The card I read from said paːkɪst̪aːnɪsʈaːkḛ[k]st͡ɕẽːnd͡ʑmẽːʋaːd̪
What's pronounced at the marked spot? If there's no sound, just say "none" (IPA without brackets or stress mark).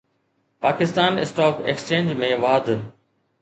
k